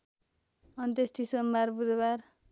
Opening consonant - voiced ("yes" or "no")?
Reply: yes